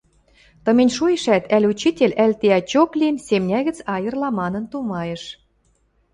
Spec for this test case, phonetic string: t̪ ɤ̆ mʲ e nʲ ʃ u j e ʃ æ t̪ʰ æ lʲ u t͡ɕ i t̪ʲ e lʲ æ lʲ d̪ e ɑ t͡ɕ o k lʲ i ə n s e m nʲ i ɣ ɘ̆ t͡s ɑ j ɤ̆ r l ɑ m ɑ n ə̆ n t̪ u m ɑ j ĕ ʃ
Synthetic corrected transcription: t̪ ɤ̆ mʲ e nʲ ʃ u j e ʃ æ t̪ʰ æ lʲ u t͡ɕ i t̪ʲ e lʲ æ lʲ t̪ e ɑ t͡ɕ o k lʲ i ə n s e m nʲ æ ɣ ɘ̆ t͡s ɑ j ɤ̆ r l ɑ m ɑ n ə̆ n t̪ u m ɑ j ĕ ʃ